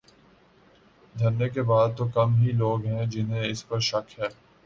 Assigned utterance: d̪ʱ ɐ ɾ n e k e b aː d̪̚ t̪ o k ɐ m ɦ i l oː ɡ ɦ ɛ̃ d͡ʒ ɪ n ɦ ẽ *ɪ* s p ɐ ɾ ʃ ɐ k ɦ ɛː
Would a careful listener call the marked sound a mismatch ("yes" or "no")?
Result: no